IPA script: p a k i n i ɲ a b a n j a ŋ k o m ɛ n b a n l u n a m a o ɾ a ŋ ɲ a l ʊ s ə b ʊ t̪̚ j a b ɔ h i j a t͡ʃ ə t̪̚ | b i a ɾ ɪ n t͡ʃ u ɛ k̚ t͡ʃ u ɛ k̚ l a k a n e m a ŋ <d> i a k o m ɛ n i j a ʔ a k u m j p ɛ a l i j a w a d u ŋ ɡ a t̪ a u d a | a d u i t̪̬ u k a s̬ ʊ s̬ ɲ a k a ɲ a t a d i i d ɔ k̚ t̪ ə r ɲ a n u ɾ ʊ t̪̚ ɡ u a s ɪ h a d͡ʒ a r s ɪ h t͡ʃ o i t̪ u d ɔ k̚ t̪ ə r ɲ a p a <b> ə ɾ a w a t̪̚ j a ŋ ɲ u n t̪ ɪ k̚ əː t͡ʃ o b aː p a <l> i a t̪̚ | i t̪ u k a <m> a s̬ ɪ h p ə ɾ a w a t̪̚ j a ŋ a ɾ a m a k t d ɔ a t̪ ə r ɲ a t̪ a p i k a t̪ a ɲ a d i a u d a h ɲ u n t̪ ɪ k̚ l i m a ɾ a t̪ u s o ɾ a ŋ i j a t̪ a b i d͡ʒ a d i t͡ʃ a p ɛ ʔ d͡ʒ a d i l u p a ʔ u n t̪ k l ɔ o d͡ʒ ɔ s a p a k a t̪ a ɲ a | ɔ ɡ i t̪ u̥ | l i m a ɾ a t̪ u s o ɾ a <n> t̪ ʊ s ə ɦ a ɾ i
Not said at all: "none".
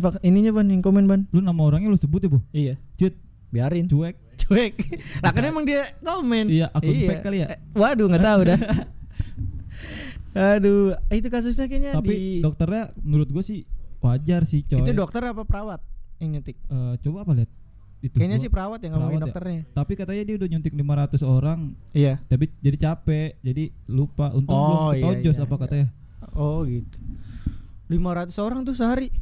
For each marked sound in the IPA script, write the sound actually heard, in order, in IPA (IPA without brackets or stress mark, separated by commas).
d, p, l, ɲ, ŋ